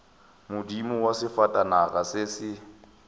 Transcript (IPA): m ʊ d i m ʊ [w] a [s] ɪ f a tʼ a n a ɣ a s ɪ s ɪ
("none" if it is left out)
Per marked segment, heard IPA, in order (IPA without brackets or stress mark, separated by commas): w, s